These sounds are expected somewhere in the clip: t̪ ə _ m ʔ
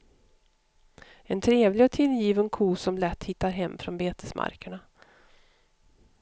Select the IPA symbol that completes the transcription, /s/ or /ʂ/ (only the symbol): s